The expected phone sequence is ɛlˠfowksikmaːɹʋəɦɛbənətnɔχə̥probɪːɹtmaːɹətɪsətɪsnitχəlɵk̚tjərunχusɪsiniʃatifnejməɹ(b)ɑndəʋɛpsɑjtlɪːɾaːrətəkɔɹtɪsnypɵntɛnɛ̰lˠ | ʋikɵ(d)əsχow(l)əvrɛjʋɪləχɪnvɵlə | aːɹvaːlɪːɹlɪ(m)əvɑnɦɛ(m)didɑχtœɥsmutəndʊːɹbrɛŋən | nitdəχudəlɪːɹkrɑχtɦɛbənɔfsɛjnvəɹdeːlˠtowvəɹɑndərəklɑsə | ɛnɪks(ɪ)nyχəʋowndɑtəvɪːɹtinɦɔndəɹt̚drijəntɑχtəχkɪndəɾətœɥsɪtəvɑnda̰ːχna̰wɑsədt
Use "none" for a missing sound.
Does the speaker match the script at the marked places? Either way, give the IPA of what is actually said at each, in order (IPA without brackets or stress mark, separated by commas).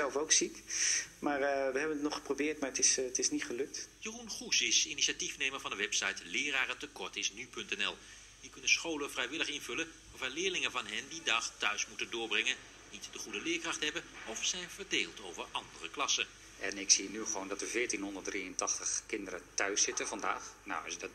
v, n, l, ŋ, n, i